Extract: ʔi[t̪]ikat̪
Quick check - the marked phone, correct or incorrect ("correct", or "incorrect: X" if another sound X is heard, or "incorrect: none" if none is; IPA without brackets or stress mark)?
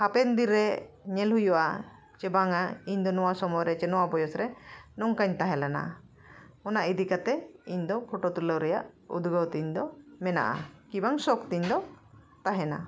incorrect: d̪